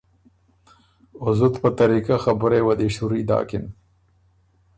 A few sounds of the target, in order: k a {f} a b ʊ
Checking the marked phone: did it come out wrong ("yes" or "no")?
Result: yes